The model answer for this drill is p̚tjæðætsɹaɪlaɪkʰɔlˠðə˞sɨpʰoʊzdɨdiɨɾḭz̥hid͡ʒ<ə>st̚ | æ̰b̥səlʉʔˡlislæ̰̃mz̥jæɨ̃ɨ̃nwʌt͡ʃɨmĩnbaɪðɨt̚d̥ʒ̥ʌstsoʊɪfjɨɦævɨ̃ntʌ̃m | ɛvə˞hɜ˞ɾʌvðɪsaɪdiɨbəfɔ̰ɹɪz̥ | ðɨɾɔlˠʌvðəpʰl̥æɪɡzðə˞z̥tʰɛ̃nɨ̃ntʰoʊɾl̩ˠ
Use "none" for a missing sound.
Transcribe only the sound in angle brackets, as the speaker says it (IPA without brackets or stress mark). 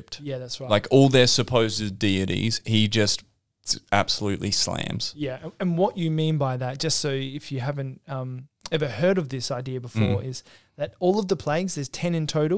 ʌ